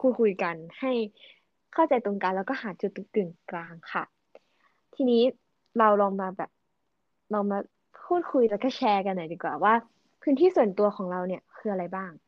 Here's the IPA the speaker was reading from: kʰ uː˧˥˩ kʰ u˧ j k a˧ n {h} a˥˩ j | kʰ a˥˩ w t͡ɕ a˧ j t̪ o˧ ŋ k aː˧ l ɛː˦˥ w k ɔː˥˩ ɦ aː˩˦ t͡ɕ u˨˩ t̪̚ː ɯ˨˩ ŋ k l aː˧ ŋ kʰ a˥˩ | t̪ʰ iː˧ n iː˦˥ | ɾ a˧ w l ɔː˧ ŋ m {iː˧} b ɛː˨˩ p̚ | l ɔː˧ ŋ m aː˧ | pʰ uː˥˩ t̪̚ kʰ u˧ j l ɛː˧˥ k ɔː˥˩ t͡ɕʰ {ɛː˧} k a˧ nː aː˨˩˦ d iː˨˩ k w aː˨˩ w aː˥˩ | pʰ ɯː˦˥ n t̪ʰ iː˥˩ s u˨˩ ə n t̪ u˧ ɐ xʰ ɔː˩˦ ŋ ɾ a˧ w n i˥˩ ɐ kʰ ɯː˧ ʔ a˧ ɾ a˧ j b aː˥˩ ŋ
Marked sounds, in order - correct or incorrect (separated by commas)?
correct, incorrect, correct